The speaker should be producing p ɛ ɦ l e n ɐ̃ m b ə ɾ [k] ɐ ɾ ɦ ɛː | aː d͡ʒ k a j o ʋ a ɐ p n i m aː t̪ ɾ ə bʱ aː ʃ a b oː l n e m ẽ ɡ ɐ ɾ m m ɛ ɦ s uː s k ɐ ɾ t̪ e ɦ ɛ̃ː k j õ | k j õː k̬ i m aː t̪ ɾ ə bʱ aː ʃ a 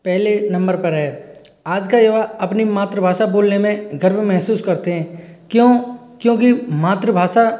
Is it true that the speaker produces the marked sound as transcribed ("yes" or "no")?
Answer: no